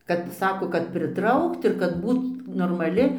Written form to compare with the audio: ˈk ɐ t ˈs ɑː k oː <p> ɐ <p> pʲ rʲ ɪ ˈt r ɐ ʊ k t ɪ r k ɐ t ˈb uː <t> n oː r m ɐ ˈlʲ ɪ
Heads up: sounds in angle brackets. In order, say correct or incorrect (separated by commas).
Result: incorrect, incorrect, correct